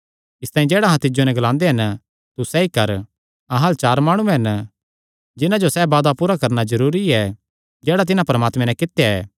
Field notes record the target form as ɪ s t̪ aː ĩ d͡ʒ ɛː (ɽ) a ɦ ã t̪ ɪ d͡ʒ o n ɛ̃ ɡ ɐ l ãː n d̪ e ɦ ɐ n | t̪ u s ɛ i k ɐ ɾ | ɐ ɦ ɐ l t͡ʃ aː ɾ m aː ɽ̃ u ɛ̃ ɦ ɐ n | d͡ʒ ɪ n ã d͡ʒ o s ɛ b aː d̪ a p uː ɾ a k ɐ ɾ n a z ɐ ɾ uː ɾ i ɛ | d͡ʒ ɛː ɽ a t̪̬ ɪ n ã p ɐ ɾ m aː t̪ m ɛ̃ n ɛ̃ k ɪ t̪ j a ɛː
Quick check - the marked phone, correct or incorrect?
correct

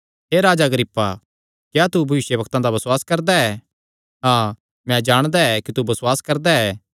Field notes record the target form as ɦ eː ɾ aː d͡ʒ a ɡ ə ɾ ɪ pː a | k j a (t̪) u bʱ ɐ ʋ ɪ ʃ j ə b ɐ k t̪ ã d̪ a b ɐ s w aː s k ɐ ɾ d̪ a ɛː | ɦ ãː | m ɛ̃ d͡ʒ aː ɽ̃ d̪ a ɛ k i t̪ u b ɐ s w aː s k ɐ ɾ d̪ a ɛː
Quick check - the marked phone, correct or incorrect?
correct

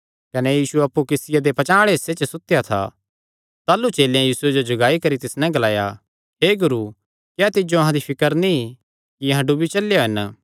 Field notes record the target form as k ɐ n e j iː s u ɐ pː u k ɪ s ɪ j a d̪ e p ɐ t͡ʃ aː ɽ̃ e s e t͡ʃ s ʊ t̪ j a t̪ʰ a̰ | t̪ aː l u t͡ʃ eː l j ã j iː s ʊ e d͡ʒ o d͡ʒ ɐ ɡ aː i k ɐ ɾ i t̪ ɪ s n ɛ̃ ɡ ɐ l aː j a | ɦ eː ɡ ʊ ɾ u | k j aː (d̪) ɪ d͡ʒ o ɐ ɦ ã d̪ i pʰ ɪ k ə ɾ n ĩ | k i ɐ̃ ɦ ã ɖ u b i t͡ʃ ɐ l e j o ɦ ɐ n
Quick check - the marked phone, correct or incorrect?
incorrect: t̪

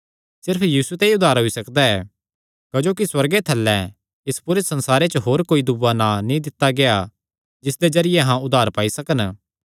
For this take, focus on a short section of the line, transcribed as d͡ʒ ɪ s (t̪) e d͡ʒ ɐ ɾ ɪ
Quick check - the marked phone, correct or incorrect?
incorrect: d̪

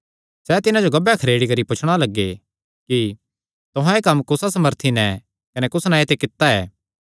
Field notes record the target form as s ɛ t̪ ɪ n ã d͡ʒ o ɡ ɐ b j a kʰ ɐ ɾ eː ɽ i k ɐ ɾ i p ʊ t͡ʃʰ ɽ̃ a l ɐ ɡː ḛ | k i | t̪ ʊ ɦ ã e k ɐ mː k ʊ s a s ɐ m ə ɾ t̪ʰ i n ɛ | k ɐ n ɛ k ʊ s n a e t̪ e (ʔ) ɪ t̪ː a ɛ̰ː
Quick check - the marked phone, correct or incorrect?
incorrect: k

